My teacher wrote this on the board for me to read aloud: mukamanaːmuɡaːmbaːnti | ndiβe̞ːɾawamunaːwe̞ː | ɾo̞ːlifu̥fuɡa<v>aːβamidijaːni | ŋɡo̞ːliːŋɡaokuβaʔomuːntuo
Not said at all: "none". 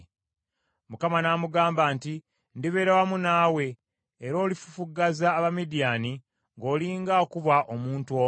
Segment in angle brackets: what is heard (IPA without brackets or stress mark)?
z